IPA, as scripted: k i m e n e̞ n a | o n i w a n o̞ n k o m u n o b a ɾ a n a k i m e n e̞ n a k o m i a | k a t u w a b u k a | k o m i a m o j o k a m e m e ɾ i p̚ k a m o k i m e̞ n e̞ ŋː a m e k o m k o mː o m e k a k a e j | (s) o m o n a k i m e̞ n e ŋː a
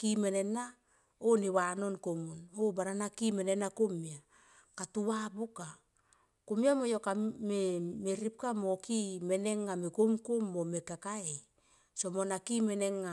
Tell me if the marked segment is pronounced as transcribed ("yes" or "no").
yes